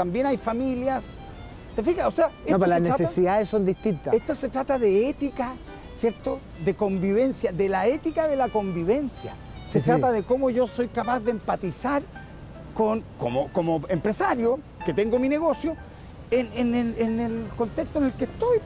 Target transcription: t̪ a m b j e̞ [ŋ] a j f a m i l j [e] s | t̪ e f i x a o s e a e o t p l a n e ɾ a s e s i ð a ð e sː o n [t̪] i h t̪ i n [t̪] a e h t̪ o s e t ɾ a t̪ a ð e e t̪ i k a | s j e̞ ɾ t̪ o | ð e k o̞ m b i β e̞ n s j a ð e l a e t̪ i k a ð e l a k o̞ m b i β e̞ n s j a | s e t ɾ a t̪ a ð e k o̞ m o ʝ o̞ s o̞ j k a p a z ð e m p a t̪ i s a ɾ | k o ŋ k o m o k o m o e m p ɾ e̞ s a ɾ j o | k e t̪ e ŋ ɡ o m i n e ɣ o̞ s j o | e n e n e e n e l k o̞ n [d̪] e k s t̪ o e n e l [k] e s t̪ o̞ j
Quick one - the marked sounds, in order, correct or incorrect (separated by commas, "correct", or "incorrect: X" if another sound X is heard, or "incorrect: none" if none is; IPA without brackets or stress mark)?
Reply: incorrect: n, incorrect: a, incorrect: d̪, correct, incorrect: t̪, correct